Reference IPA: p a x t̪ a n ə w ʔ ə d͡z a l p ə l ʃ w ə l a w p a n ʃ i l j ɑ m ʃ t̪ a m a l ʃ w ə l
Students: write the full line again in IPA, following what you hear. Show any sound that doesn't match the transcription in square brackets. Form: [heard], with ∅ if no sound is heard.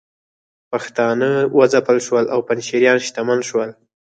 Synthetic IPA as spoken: p a x t̪ [ɑ] n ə w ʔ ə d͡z a [∅] p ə l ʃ w ə l a w p a n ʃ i [ɾ] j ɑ [n] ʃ t̪ a m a l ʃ w ə l